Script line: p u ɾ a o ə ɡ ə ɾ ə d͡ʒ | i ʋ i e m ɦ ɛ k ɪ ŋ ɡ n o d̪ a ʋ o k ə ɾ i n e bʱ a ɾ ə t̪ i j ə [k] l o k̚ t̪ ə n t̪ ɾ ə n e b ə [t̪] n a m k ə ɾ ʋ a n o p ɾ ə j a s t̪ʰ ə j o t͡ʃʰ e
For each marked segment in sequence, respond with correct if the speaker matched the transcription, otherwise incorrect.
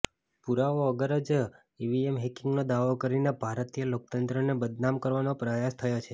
incorrect, incorrect

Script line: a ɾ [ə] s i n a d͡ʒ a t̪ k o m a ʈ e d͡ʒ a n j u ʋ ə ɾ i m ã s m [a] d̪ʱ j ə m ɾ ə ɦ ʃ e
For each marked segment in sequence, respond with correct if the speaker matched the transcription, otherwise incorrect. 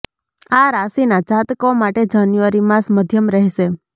incorrect, incorrect

